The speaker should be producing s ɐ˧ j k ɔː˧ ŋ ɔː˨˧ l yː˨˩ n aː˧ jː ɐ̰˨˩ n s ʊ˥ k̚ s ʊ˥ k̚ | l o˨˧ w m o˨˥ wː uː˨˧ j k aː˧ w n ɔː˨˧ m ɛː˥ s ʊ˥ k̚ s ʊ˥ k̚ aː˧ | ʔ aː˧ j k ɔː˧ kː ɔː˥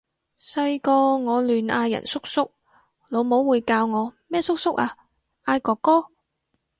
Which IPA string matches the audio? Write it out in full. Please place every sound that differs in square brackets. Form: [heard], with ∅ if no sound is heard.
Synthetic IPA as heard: s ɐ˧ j k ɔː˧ ŋ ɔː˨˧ l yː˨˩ n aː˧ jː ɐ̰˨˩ n s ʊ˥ k̚ s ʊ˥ k̚ | l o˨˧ w m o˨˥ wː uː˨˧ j k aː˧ w [ŋ] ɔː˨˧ m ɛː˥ s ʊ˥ k̚ s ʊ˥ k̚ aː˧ | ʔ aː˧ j k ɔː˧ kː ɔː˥